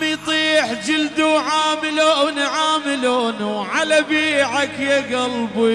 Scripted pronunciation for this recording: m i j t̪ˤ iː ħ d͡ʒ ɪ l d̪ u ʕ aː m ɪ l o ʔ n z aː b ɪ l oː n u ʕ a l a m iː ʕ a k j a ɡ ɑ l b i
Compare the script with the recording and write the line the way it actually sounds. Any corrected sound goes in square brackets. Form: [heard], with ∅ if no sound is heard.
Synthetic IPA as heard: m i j t̪ˤ iː ħ d͡ʒ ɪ l d̪ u ʕ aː m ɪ l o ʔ n [ʕ] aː [m] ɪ l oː n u ʕ a l a [b] iː ʕ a k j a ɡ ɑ l b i